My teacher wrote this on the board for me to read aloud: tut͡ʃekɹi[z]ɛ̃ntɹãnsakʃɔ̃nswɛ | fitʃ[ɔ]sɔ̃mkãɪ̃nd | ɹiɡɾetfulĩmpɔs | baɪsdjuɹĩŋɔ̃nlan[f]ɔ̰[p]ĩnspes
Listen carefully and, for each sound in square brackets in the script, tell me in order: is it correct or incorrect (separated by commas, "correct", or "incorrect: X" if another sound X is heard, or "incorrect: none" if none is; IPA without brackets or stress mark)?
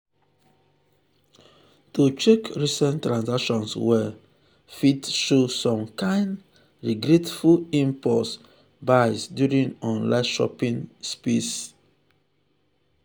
incorrect: s, incorrect: o, incorrect: ʃ, correct